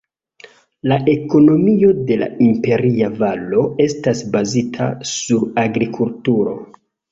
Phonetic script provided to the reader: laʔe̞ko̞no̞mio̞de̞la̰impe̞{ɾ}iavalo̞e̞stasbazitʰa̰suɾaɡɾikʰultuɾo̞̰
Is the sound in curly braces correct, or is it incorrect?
correct